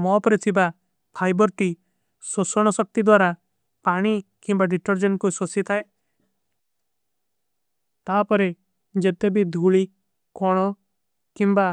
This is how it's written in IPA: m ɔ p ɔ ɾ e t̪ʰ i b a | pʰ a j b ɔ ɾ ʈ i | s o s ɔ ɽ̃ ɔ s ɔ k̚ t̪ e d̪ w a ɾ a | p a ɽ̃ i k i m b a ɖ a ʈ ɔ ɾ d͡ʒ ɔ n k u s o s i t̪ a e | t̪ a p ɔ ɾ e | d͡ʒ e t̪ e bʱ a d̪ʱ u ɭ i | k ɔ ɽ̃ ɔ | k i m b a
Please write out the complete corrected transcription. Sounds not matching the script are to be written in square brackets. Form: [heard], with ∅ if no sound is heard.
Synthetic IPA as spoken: m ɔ p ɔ ɾ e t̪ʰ i b a | pʰ a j b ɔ ɾ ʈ i | s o s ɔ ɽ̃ ɔ s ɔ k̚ t̪ [i] d̪ w a ɾ a | p a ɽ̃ i k i m b a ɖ [i] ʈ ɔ ɾ d͡ʒ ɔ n k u s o s i [t̪ʰ] a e | t̪ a p ɔ ɾ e | d͡ʒ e t̪ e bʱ [i] d̪ʱ u ɭ i | k ɔ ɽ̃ ɔ | k i m b a